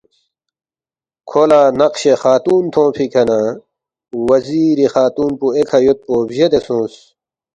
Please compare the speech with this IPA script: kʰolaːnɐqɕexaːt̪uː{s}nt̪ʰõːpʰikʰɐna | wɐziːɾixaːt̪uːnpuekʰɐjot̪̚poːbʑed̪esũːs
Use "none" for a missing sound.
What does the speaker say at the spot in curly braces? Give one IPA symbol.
none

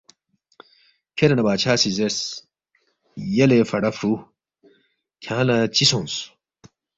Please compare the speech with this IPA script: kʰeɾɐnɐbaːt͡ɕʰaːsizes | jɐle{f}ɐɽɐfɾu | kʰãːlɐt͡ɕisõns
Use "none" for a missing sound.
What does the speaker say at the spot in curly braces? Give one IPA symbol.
f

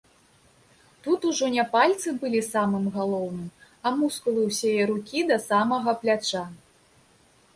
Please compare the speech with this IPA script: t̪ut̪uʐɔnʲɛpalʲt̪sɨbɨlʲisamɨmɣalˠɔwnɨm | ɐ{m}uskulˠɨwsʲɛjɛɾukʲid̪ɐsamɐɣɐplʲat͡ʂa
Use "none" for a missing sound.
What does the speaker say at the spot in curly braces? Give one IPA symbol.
m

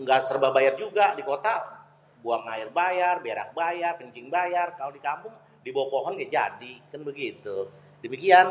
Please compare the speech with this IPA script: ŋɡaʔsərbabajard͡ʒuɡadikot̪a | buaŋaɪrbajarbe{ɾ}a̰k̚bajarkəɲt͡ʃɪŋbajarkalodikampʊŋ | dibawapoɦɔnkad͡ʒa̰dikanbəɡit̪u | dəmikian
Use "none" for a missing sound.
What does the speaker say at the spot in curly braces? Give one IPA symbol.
ɾ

